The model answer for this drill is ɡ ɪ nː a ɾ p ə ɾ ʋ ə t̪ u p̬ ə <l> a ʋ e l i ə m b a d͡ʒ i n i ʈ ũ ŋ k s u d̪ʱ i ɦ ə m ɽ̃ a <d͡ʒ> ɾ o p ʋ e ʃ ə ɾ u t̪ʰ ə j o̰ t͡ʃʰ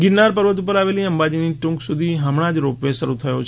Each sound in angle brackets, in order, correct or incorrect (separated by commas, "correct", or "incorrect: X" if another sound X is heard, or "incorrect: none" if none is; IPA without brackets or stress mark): incorrect: ɾ, correct